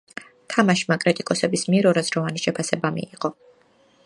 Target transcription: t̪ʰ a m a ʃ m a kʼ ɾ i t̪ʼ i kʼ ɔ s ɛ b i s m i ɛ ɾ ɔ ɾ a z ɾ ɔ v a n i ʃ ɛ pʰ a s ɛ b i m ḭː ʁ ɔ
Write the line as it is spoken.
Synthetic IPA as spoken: t̪ʰ a m a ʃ m a kʼ ɾ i t̪ʼ i kʼ ɔ s ɛ b i s m i ɛ ɾ ɔ ɾ a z ɾ ɔ v a n i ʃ ɛ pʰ a s ɛ b a m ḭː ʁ ɔ